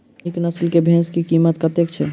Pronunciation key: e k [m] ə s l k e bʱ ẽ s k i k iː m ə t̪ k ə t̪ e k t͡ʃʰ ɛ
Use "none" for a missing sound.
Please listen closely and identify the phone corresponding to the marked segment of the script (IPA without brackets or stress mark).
n